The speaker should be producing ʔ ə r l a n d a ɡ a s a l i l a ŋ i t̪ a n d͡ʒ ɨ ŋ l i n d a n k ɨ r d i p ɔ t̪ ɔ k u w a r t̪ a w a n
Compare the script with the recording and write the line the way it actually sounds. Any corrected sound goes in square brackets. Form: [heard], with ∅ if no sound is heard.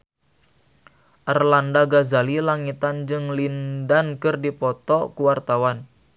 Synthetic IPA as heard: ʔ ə r l a n d a ɡ a [z] a l i l a ŋ i t̪ a n d͡ʒ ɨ ŋ l i n d a n k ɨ r d i p ɔ t̪ ɔ k u w a r t̪ a w a n